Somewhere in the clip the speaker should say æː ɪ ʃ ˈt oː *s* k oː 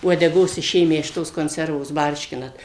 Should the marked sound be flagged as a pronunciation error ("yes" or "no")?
no